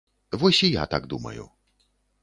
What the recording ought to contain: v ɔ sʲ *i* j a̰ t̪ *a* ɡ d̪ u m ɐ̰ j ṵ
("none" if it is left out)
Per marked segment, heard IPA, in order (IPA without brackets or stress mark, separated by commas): i, a